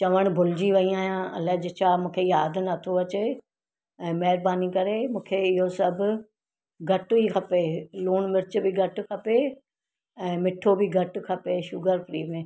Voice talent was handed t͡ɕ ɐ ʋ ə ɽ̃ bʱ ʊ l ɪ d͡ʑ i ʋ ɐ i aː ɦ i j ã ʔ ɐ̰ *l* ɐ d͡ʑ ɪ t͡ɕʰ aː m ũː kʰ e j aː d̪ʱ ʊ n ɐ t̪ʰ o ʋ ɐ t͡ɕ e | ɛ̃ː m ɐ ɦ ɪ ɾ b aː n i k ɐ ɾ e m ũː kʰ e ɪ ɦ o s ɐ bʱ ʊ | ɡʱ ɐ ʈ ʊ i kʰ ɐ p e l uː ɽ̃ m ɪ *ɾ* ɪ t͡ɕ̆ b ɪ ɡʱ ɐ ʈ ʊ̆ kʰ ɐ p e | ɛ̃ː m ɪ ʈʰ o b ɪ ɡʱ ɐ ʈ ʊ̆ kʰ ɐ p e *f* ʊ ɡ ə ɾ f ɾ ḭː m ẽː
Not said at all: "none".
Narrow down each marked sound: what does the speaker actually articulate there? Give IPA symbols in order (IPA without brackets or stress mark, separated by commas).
l, ɾ, ʃ